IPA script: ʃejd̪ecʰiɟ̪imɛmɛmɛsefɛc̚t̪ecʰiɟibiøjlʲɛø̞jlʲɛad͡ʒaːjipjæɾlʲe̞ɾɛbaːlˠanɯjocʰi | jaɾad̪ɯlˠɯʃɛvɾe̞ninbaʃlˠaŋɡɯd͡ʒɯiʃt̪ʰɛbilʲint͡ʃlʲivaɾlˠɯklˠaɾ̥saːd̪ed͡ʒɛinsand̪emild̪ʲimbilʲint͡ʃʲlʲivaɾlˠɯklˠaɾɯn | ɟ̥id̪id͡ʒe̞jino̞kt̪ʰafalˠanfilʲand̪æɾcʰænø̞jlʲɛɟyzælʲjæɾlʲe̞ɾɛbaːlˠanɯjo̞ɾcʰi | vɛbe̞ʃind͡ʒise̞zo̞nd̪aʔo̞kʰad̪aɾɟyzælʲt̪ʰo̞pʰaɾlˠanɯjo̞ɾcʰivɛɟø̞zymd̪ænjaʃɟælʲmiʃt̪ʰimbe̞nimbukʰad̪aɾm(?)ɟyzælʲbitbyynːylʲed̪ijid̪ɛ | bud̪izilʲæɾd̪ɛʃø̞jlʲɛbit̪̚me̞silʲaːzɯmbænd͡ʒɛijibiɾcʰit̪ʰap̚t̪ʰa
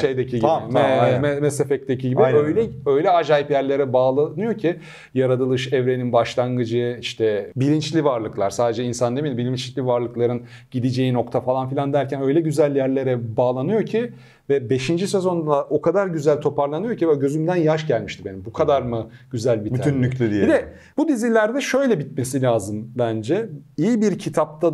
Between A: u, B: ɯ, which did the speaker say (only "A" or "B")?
B